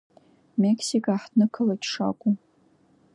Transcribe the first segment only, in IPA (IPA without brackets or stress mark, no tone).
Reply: m